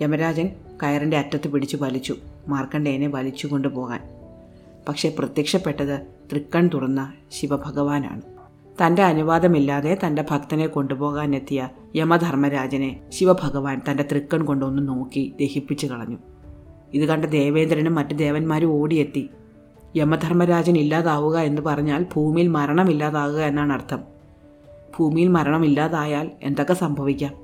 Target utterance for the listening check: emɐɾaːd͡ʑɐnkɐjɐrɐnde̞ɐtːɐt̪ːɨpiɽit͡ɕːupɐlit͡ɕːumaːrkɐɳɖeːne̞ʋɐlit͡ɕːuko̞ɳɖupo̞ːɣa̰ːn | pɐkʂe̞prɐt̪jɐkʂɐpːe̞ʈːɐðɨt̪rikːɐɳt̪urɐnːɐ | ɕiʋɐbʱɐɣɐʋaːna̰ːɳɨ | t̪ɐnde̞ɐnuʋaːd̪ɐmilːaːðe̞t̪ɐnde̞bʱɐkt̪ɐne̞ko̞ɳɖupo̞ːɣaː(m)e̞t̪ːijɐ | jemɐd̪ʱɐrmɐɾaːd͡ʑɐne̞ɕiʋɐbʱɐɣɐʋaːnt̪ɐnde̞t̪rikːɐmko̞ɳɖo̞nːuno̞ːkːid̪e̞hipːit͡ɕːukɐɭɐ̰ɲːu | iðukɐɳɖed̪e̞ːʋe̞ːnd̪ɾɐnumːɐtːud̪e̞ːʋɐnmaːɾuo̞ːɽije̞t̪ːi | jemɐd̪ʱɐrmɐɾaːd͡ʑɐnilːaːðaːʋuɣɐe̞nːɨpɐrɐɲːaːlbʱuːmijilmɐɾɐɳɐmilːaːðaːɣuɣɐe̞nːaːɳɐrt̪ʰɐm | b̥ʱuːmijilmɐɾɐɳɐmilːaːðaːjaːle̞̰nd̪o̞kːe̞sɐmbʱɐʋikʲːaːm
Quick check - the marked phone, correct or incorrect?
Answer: incorrect